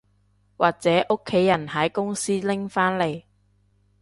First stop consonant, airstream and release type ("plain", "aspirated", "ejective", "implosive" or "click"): plain